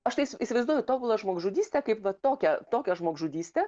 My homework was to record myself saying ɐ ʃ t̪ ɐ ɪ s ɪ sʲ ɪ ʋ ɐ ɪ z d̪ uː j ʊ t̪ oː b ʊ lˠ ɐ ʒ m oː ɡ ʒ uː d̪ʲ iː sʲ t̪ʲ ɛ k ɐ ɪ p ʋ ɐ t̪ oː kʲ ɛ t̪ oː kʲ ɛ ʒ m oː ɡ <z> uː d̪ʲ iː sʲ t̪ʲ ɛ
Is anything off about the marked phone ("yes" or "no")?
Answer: yes